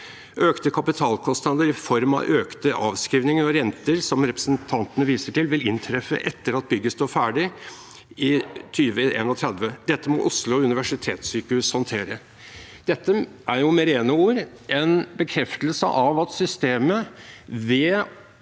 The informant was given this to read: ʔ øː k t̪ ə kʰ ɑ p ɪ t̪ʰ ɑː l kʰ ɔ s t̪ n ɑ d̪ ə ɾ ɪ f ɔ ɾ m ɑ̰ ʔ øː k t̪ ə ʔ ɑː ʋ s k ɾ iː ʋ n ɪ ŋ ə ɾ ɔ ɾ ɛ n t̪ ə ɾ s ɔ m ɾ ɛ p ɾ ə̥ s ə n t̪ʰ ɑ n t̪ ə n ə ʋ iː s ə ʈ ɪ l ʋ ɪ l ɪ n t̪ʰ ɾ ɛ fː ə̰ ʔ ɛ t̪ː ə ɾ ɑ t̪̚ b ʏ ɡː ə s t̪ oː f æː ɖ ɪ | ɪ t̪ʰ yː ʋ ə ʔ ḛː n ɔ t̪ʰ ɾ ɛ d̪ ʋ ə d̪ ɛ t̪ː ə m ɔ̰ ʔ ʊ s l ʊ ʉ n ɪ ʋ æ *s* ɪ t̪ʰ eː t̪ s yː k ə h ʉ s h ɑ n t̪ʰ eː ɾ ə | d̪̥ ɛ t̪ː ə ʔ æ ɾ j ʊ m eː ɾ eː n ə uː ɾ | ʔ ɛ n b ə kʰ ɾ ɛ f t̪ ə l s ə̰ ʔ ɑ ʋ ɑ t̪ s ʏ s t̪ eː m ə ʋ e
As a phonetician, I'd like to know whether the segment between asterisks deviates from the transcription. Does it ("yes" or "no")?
yes